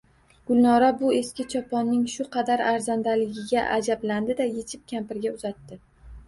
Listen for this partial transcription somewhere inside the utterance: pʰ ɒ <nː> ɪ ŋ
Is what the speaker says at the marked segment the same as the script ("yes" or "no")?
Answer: yes